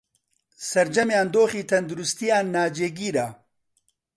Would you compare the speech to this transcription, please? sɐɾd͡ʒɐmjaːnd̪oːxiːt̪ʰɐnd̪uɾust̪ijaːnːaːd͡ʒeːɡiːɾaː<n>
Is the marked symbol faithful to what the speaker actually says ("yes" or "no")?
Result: no